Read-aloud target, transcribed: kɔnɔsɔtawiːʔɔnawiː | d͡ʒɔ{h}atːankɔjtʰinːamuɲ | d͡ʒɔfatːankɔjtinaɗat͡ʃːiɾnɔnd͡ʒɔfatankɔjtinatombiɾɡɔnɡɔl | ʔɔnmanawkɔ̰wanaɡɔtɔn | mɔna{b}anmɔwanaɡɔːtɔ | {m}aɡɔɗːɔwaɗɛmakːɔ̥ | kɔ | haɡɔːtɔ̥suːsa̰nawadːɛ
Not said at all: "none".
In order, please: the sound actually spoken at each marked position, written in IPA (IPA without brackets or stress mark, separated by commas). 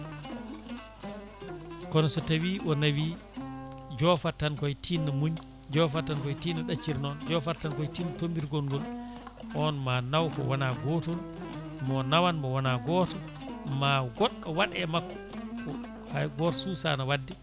f, w, m